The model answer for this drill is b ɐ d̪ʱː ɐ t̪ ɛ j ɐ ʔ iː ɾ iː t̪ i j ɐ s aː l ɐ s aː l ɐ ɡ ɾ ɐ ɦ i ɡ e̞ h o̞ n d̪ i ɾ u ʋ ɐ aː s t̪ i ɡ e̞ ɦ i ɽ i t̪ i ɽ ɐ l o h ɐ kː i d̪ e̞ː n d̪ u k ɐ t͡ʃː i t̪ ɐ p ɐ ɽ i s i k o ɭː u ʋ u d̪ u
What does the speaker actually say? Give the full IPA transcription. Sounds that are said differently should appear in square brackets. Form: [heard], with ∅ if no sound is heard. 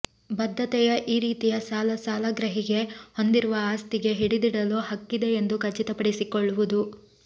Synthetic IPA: b ɐ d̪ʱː ɐ t̪ ɛ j ɐ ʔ iː ɾ iː t̪ i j ɐ s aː l ɐ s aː l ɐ ɡ ɾ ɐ ɦ i ɡ e̞ h o̞ n d̪ i ɾ u ʋ ɐ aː s t̪ i ɡ e̞ ɦ i ɽ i [d̪] i ɽ ɐ l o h ɐ kː i d̪ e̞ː n d̪ u k ɐ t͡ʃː i t̪ ɐ p ɐ ɽ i s i k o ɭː u ʋ u d̪ u